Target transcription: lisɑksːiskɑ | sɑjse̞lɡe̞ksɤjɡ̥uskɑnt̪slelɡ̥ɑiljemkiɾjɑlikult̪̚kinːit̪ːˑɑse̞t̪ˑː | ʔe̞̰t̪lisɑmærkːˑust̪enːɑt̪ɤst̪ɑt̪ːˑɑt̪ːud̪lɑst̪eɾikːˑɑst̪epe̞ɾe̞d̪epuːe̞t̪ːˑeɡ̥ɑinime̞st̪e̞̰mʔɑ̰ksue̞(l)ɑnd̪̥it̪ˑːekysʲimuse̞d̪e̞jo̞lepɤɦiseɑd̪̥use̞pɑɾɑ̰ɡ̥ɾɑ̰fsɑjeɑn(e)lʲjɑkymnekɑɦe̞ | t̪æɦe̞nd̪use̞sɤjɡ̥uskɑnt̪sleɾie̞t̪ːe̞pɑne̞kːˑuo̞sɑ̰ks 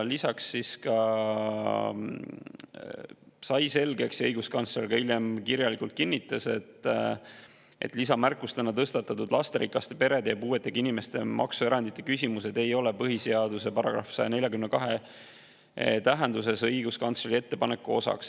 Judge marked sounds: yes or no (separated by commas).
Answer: no, yes